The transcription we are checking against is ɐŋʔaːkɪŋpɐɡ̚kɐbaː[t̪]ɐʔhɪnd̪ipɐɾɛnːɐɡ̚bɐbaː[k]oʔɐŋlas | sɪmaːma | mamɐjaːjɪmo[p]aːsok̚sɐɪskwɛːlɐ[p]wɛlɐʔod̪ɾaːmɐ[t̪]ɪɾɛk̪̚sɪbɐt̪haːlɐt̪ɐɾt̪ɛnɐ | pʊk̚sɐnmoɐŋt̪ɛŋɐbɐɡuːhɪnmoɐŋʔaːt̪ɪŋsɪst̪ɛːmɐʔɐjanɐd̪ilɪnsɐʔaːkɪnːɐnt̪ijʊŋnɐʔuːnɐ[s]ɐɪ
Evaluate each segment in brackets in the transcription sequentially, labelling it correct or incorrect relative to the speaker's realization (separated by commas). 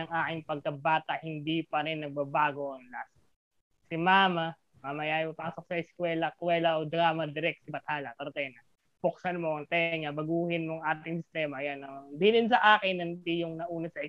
correct, incorrect, correct, incorrect, incorrect, correct